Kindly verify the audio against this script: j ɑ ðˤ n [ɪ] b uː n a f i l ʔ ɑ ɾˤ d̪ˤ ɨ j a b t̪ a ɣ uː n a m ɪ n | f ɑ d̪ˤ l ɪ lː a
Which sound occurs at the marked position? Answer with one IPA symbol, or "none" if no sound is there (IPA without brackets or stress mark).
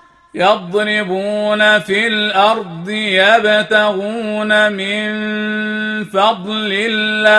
ɪ